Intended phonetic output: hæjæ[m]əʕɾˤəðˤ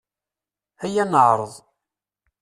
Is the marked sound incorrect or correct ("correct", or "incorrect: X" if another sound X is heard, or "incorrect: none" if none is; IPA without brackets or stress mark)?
incorrect: n